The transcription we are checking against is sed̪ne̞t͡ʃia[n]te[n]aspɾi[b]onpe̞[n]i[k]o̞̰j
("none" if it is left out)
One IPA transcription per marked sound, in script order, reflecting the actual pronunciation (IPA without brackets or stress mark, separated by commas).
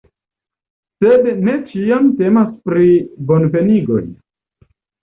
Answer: m, m, b, n, ɡ